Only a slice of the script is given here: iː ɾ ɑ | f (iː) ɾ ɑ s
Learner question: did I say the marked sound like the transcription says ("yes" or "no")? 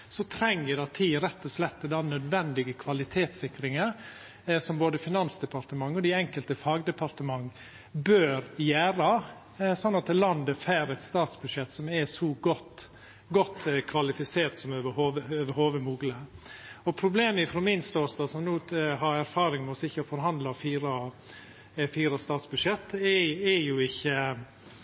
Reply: yes